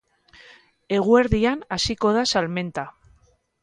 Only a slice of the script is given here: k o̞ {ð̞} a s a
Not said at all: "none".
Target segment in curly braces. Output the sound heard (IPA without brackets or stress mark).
ð̞